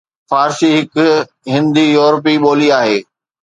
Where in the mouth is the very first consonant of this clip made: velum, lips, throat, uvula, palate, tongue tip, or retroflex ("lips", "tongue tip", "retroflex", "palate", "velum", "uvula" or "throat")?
lips